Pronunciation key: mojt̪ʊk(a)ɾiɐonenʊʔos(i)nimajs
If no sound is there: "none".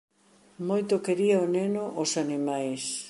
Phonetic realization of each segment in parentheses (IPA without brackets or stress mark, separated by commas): e, a